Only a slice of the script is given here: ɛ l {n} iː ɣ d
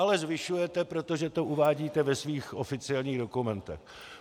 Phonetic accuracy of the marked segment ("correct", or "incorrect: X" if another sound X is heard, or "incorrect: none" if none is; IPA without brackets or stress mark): incorrect: ɲ